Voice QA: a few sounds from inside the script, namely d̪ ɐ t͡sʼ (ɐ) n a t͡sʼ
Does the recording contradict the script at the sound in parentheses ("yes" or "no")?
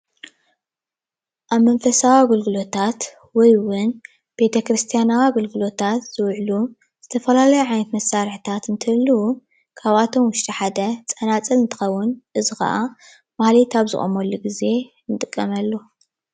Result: no